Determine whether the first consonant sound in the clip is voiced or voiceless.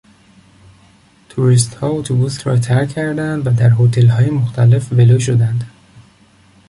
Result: voiceless